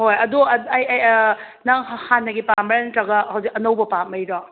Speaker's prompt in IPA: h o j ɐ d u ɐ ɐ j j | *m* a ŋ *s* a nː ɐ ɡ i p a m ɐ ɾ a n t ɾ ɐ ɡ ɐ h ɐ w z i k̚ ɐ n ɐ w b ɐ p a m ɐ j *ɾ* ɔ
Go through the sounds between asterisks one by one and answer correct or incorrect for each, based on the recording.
incorrect: n, incorrect: h, correct

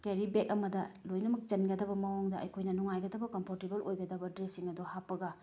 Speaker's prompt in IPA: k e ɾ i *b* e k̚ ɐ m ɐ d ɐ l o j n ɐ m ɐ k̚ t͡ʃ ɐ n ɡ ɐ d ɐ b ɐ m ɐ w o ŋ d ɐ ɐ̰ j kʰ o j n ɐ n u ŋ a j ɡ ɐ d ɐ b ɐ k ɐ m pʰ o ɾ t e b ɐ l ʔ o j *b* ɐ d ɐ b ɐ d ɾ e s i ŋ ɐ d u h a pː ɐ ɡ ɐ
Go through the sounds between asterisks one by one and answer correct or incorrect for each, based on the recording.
correct, incorrect: ɡ

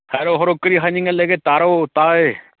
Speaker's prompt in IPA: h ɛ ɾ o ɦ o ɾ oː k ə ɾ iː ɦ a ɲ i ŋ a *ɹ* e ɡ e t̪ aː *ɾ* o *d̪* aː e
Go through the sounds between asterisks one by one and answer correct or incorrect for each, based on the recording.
incorrect: l, correct, incorrect: t̪

